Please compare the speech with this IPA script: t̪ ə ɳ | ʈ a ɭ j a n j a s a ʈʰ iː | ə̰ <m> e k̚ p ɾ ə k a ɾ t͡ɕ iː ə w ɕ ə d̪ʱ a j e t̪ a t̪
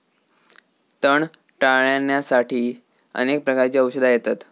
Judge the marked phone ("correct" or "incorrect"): incorrect